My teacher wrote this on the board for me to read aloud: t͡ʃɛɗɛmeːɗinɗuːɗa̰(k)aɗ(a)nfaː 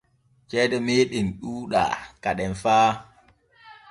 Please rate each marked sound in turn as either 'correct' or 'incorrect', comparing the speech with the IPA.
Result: correct, incorrect: ɛ

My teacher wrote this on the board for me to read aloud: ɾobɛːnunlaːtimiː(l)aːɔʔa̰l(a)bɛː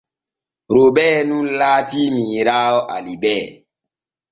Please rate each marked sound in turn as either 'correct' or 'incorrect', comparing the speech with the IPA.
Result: incorrect: ɾ, incorrect: i

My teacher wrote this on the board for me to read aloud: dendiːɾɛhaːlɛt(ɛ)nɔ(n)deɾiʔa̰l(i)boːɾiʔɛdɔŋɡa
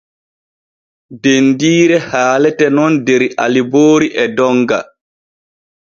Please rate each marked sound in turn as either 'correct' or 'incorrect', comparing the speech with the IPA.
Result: correct, correct, correct

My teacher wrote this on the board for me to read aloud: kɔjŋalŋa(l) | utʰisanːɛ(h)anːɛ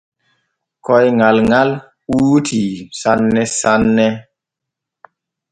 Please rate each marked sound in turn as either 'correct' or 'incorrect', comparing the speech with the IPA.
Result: correct, incorrect: s

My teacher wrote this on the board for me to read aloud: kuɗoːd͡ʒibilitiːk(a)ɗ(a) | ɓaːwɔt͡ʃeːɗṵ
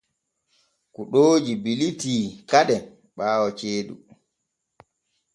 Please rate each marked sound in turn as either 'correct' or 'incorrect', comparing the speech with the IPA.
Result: correct, incorrect: ɛ

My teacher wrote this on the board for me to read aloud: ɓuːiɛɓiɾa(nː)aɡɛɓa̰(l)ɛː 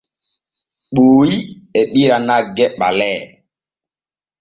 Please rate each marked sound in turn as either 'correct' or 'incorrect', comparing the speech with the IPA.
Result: incorrect: n, correct

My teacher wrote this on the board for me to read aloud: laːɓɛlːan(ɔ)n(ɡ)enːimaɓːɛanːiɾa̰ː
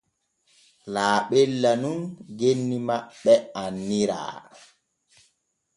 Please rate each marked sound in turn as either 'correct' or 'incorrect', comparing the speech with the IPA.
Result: incorrect: u, correct

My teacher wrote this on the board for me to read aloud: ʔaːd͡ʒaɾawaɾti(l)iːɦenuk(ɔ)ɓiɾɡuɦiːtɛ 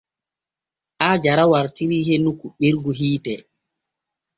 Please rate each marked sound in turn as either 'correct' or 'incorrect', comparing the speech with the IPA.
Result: incorrect: ɾ, incorrect: u

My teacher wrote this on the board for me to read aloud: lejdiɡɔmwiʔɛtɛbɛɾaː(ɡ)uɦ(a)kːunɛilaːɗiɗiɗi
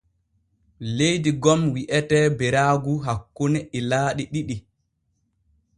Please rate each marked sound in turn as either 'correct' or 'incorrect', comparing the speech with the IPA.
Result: correct, correct

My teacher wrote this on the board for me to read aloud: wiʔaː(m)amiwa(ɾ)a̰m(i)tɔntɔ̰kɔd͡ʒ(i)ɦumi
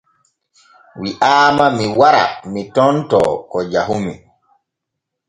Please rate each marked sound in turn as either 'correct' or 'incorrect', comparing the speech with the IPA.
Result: correct, correct, correct, incorrect: a

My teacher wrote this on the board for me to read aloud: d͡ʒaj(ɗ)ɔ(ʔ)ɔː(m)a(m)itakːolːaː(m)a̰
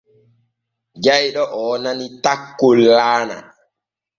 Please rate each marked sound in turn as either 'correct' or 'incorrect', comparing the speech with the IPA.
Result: correct, correct, incorrect: n, incorrect: n, incorrect: n

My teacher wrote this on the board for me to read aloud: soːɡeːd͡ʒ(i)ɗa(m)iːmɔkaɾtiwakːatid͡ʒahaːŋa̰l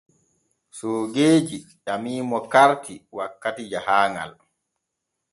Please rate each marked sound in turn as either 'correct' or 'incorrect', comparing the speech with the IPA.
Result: correct, correct

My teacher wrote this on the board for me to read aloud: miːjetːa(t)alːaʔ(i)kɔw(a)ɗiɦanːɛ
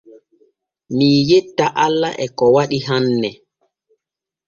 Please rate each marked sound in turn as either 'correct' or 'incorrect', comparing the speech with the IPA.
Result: incorrect: ʔ, incorrect: ɛ, correct

